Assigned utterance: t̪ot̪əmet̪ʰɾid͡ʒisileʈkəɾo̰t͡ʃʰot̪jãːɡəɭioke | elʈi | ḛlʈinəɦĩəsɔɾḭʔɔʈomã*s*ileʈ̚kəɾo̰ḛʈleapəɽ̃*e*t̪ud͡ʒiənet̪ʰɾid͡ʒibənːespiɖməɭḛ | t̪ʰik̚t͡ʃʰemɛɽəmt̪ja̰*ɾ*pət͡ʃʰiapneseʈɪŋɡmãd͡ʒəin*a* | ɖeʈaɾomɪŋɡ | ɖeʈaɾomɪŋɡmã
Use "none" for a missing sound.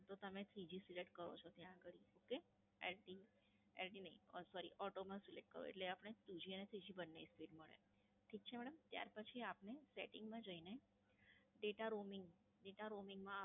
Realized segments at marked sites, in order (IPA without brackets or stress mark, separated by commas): s, e, ɾ, e